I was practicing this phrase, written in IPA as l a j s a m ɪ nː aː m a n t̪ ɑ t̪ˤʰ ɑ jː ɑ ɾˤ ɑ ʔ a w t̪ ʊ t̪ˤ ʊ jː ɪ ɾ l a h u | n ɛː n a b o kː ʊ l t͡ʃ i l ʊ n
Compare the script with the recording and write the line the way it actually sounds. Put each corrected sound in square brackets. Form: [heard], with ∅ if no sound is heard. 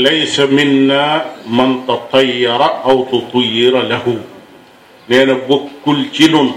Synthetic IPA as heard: l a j s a m ɪ nː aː m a n t̪ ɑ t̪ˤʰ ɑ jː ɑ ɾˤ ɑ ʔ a w t̪ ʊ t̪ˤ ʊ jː ɪ ɾ l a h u | n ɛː n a b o kː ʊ l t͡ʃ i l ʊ n